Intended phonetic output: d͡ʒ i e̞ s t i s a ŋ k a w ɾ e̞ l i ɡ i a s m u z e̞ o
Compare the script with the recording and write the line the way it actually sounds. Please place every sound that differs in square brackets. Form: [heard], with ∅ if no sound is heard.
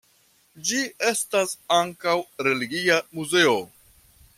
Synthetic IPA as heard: d͡ʒ i e̞ s t [a] s a ŋ k a w ɾ e̞ l i ɡ i a [∅] m u z e̞ o

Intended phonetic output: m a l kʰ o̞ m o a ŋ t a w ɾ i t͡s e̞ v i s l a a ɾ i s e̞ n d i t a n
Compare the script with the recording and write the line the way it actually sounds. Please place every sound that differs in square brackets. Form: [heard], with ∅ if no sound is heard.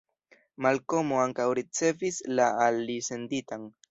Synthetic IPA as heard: m a l [k] o̞ m o a ŋ [k] a w ɾ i t͡s e̞ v i s l a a [l] i s e̞ n d i t a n

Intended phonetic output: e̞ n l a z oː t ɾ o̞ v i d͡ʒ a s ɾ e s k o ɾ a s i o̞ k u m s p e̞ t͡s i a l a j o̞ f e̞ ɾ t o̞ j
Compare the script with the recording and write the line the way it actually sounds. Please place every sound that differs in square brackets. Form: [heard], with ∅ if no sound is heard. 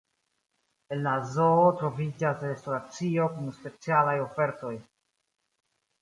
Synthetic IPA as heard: e̞ n l a z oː t ɾ o̞ v i d͡ʒ a s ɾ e s [t] o ɾ a [t͡s] i o̞ k u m s p e̞ t͡s i a l a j o̞ f e̞ ɾ t o̞ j

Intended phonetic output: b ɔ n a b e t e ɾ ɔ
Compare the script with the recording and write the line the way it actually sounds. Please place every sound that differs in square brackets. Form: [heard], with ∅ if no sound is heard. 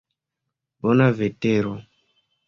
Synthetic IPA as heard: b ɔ n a [v] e t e ɾ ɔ

